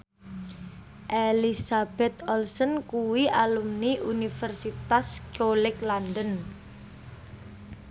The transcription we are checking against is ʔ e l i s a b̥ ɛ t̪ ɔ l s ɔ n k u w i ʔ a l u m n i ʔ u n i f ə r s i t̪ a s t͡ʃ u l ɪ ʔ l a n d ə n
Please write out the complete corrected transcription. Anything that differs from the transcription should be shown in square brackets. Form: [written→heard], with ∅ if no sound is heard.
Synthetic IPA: ʔ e l i s a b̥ ɛ t̪ ɔ l s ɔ n k u w i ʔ a l u m n i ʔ u n i f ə r s i t̪ a s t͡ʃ [u→o] l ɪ [ʔ→k] l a n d ə n